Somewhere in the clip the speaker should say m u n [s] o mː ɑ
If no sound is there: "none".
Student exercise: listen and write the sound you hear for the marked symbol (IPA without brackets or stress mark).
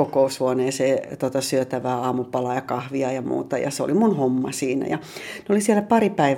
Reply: h